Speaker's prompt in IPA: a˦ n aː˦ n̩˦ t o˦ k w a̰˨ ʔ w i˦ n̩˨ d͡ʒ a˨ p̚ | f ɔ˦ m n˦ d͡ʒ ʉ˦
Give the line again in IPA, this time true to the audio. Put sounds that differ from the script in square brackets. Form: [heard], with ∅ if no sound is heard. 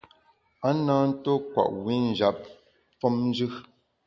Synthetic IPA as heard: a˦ n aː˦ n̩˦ t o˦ k w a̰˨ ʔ w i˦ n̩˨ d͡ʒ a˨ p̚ | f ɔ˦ m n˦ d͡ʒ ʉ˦